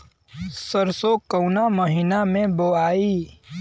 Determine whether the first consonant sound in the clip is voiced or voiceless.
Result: voiceless